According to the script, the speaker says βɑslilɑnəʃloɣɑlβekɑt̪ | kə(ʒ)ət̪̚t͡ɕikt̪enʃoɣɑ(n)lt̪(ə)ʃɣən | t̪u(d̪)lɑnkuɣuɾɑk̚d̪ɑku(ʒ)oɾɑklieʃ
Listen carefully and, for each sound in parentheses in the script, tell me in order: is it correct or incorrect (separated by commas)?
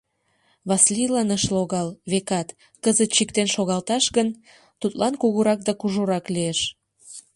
incorrect, incorrect, incorrect, incorrect, correct